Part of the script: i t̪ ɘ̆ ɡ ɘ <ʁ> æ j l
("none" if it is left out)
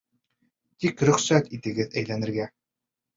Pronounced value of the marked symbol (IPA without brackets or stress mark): ð